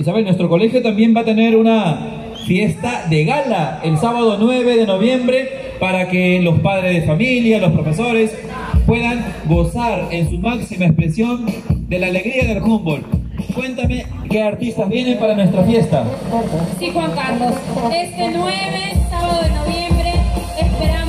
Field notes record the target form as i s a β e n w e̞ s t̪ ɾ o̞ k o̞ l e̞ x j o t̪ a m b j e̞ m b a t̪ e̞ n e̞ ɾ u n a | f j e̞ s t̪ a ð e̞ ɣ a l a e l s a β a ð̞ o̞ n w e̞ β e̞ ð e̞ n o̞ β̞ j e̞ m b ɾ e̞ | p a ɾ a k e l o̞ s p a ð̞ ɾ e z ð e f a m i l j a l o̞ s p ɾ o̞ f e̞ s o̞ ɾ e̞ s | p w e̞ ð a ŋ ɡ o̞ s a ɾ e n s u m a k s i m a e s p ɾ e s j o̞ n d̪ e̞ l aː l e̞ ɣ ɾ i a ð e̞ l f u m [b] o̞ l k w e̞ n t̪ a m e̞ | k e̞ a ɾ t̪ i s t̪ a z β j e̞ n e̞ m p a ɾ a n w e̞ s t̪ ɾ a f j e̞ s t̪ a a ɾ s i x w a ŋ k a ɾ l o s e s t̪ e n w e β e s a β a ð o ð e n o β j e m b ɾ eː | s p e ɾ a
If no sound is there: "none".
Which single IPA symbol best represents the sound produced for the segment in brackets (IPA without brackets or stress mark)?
b